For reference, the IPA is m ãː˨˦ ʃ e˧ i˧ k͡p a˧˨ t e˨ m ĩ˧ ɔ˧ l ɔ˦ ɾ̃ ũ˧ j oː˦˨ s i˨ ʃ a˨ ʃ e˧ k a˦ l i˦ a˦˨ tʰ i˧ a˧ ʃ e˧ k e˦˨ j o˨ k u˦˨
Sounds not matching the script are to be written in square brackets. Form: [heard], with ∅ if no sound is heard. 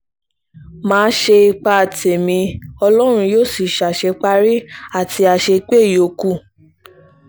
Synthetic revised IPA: m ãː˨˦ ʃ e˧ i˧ k͡p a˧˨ t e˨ m ĩ˧ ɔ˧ l ɔ˦ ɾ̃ ũ˧ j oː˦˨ s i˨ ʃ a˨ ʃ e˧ [k͡p] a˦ [ɾ] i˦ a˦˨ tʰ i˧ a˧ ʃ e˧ [k͡p] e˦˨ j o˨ k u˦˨